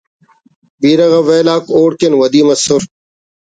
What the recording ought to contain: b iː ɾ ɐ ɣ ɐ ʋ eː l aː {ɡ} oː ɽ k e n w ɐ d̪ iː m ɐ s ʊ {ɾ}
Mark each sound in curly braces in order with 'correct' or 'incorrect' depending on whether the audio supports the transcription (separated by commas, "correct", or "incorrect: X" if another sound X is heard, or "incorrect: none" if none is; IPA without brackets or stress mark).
incorrect: k, correct